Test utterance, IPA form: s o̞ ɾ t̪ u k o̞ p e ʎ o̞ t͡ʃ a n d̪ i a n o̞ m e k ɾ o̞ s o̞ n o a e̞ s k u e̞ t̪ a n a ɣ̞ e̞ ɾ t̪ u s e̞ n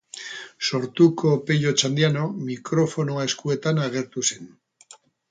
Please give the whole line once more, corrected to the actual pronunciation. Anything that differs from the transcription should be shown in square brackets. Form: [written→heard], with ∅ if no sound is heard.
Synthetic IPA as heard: s o̞ ɾ t̪ u k o̞ p e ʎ o̞ t͡ʃ a n d̪ i a n o̞ m [e→i] k ɾ o̞ [s→f] o̞ n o a e̞ s k u e̞ t̪ a n a ɣ̞ e̞ ɾ t̪ u s e̞ n